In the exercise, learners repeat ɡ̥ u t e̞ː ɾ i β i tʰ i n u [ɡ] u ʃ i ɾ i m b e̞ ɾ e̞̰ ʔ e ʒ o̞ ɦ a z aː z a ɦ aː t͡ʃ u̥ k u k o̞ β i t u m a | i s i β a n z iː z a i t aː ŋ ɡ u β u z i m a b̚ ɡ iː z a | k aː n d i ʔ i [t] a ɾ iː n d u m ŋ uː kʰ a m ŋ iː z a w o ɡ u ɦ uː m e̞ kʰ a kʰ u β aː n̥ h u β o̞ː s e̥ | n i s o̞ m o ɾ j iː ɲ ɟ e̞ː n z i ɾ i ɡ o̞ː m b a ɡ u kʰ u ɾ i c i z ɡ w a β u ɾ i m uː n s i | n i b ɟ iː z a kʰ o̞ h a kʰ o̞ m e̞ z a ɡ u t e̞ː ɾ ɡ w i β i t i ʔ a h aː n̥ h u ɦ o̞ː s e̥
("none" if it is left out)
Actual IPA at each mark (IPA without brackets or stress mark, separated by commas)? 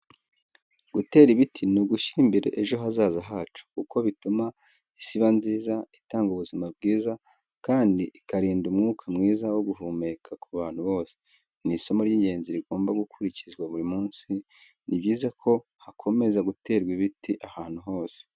ɡ, k